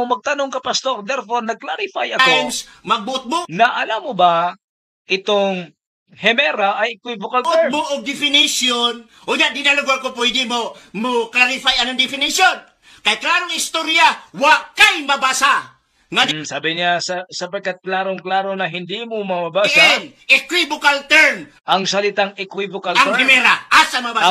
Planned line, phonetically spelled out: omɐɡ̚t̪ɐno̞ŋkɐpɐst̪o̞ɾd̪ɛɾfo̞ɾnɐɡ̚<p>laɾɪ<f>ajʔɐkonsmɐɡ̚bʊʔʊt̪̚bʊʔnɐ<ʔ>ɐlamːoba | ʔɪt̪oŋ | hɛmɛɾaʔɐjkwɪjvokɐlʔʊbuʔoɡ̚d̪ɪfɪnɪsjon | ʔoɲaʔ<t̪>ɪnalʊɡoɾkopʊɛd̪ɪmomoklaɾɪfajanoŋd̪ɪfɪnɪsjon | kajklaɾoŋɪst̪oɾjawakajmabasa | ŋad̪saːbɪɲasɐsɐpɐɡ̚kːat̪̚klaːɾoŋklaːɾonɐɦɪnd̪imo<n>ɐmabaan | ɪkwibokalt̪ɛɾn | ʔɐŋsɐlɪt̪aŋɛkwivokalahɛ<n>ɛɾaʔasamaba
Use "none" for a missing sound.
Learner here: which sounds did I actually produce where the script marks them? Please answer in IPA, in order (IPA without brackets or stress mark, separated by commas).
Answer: k, f, ʔ, d̪, m, m